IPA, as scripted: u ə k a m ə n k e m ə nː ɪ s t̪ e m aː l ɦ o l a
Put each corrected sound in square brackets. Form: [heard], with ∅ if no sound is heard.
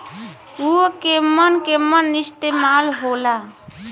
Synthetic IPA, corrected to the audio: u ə k [e] m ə n k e m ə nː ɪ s t̪ e m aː l ɦ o l a